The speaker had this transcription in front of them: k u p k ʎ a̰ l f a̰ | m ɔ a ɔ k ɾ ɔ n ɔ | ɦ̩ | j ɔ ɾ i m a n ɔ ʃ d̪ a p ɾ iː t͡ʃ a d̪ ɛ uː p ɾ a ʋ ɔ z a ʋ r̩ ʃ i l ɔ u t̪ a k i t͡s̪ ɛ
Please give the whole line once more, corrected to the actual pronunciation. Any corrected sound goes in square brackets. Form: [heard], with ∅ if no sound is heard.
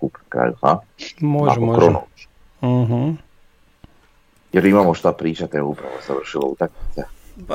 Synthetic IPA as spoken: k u p k [ɾ] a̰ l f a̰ | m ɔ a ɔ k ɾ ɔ n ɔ | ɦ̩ | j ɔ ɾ i m a [m] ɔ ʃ [t̪] a p ɾ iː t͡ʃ a [t̪] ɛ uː p ɾ a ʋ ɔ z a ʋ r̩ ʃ i l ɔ u t̪ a k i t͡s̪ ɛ